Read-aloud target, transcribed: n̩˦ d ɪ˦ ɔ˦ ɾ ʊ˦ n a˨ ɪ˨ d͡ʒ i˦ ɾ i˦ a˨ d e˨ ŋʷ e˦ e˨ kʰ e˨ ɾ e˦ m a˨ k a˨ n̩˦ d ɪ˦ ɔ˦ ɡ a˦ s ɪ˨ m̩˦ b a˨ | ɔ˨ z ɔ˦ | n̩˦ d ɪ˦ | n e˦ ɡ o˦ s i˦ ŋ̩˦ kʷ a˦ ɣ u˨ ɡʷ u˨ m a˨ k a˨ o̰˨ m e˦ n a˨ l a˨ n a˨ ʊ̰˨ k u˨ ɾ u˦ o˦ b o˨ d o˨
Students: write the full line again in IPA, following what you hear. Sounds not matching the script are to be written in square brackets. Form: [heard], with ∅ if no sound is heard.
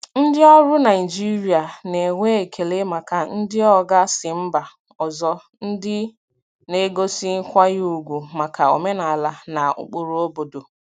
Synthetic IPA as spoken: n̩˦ d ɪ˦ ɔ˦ ɾ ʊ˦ n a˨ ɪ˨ d͡ʒ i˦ ɾ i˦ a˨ [n] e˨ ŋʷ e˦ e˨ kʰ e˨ [l] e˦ m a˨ k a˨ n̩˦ d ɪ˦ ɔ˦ ɡ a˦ s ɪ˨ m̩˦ b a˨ | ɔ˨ z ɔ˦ | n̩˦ d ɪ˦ | n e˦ ɡ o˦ s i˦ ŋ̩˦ kʷ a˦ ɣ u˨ ɡʷ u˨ m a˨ k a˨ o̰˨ m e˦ n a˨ l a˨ n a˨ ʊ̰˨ [k͡p] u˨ ɾ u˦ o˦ b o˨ d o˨